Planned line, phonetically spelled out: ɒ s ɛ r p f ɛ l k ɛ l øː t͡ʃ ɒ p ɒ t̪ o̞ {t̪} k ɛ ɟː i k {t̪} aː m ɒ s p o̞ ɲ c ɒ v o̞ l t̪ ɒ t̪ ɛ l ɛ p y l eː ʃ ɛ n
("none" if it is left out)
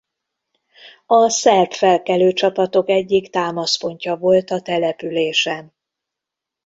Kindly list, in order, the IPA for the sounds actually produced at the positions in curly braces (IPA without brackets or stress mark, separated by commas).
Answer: none, t̪